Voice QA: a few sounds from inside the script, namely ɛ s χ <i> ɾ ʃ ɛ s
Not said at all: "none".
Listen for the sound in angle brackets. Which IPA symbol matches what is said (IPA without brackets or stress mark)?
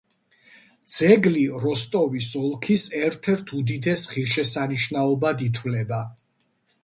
i